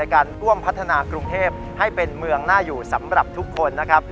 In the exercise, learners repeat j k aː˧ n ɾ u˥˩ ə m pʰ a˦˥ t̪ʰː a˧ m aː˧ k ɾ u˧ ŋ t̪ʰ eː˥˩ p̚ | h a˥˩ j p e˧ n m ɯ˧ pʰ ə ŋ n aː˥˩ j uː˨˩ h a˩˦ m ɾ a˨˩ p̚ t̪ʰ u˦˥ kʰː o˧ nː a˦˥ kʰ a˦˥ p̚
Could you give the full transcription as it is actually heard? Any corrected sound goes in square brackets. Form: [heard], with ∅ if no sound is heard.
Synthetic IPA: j k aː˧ n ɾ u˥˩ ə m pʰ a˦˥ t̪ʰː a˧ [n] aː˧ k ɾ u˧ ŋ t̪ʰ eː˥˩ p̚ | h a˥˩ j p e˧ n m ɯ˧ [∅] ə ŋ n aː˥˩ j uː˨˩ [s] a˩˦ m ɾ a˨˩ p̚ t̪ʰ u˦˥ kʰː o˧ nː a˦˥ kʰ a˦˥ p̚